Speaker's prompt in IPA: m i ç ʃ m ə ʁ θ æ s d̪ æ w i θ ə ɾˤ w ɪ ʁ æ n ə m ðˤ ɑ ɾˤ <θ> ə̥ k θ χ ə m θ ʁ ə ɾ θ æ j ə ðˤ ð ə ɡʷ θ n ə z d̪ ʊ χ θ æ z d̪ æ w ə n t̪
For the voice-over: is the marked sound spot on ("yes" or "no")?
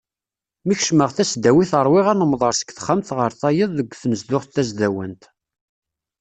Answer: no